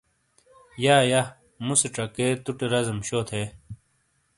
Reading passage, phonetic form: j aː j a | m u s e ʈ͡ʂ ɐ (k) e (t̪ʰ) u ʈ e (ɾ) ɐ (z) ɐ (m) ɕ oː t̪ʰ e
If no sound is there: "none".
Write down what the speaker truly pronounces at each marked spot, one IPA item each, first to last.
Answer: k, t̪, ɾ, z, m

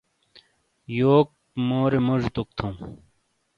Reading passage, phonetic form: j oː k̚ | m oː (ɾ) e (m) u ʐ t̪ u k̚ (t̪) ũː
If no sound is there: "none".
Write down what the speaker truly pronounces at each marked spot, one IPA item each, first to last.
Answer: ɾ, m, t̪ʰ

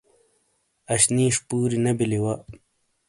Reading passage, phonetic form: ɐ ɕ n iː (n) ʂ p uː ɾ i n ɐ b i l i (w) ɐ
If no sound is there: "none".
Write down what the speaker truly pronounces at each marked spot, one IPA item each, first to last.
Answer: none, w

